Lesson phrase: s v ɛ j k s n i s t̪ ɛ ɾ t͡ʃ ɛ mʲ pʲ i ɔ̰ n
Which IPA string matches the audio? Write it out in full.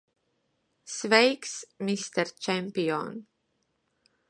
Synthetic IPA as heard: s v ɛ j k s m i s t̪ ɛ ɾ t͡ʃ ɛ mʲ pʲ i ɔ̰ n